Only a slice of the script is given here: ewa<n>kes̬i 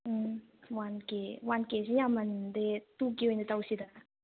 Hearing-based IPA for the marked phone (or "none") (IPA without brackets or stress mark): n